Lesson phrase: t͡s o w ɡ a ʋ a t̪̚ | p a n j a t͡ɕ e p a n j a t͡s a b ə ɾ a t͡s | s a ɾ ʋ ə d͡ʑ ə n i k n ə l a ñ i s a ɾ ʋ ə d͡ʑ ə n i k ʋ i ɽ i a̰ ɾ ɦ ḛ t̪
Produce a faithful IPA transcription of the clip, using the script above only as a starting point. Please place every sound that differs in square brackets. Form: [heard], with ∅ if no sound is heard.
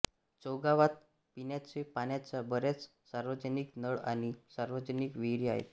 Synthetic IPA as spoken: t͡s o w ɡ a ʋ a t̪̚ | p [i] n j a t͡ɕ e p a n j a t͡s a b ə ɾ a t͡s | s a ɾ ʋ ə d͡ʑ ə n i k n ə [ɭ] a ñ i s a ɾ ʋ ə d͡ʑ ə n i k ʋ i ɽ i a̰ [∅] ɦ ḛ t̪